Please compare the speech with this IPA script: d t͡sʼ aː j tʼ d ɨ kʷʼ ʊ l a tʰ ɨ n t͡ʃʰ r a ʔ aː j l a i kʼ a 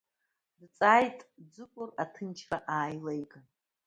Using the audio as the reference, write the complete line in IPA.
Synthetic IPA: d t͡sʼ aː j tʼ d͡z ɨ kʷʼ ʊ r a tʰ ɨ n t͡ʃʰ r a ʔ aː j l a j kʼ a

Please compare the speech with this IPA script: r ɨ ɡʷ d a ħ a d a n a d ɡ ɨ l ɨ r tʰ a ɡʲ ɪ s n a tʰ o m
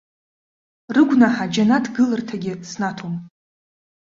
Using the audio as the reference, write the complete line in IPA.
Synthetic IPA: r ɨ ɡʷ n a ħ a d͡ʒ a n a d ɡ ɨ l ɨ r tʰ a ɡʲ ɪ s n a tʰ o m

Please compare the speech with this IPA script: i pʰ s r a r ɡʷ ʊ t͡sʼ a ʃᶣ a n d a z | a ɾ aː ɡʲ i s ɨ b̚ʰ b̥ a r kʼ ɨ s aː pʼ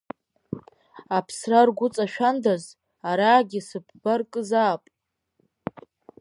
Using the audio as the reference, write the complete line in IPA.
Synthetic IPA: a pʰ s r a r ɡʷ ʊ t͡sʼ a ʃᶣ a n d a z | a ɾ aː ɡʲ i s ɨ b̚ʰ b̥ a r kʼ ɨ z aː pʼ

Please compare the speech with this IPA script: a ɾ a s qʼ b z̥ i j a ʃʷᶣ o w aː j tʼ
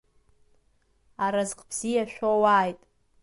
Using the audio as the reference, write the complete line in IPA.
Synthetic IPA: a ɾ a z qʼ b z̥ i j a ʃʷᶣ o w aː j tʼ

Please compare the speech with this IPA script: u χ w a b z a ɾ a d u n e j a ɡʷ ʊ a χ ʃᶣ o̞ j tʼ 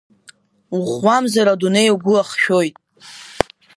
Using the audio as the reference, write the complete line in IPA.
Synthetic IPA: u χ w a m z a ɾ a d u n e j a ɡʷ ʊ a χ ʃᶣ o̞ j tʼ

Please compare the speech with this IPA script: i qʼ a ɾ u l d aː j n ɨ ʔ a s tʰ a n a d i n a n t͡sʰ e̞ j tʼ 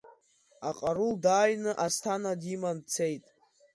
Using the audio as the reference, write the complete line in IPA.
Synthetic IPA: a qʼ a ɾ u l d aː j n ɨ ʔ a s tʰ a n a d i m a n t͡sʰ e̞ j tʼ

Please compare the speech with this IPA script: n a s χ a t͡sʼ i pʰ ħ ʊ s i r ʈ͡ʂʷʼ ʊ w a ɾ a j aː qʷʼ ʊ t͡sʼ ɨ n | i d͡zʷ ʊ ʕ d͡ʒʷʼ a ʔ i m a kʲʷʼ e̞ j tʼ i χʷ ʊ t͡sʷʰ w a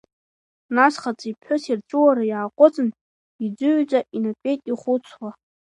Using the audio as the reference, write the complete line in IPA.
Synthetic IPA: n a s χ a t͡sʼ i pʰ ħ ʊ s i r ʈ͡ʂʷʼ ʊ w a ɾ a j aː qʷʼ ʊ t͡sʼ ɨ n | i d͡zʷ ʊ ʕ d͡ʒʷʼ a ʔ i n a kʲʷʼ e̞ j tʼ i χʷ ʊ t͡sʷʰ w a

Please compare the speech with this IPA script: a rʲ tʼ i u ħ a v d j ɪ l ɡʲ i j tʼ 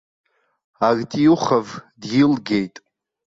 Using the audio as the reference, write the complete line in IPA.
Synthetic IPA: a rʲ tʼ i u χ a v d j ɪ l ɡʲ e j tʼ

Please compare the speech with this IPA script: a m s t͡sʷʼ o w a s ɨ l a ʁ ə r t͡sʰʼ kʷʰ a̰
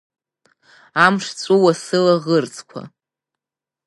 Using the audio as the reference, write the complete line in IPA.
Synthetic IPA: a m ʂ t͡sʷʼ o w a s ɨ l a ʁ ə r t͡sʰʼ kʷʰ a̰

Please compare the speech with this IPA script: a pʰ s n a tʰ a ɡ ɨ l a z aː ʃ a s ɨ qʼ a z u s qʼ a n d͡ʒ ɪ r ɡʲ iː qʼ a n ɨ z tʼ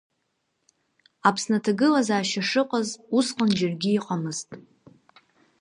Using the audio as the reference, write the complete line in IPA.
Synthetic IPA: a pʰ s n a tʰ a ɡ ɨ l a z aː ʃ a ʂ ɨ qʼ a z u s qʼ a n d͡ʒ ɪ r ɡʲ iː qʼ a m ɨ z tʼ

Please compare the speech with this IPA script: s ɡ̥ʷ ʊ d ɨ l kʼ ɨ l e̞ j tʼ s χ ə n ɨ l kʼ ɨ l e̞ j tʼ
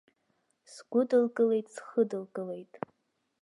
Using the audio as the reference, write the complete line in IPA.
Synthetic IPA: s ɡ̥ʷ ʊ d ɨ l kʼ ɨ l e̞ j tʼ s χ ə d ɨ l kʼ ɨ l e̞ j tʼ

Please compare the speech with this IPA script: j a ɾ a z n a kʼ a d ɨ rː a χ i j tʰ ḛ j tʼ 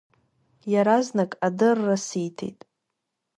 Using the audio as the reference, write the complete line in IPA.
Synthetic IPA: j a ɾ a z n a kʼ a d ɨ rː a s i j tʰ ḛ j tʼ

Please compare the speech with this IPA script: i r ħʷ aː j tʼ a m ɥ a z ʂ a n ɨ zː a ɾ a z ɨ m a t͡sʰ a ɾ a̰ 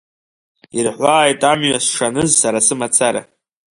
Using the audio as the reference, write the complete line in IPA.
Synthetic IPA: i r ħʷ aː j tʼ a m ɥ a s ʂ a n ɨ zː a ɾ a s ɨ m a t͡sʰ a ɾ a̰

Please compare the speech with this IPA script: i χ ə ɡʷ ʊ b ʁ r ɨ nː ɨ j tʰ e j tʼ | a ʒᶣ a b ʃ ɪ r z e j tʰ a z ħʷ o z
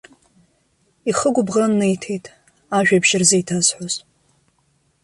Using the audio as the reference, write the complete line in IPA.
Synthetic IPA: i χ ə ɡʷ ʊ b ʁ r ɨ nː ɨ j tʰ e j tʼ | a ʒᶣ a b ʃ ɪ r z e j tʰ a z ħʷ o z

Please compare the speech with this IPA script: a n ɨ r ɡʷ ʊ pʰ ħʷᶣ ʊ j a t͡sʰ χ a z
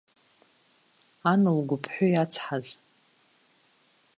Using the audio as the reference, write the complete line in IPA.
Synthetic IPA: a n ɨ l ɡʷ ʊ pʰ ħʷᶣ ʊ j a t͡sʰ ħ a z

